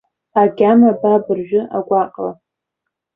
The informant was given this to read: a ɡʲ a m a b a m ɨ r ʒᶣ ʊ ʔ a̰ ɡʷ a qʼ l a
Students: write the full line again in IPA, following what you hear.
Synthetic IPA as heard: a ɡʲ a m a b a b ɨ r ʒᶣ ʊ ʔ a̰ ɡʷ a qʼ l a